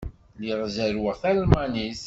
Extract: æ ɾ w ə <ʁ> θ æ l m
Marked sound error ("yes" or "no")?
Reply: no